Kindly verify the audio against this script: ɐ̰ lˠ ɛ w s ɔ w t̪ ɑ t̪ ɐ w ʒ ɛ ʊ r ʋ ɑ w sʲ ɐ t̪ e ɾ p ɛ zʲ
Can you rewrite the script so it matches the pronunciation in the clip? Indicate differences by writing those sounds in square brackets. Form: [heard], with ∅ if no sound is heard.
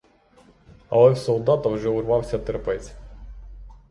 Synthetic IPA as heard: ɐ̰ lˠ ɛ w s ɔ w [d̪] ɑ t̪ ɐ w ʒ ɛ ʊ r ʋ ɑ w sʲ ɐ t̪ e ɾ p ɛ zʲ